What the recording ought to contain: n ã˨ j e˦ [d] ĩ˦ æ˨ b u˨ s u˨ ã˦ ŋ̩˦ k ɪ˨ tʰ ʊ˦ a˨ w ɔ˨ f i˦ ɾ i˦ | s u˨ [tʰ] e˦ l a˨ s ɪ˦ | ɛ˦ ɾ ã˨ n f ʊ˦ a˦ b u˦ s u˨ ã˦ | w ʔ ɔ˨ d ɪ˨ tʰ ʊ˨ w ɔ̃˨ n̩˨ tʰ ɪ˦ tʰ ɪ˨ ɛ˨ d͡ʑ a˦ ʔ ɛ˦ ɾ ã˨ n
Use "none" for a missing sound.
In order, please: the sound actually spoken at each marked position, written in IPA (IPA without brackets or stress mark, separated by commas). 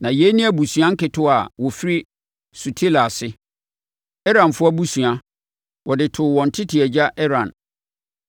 n, tʰ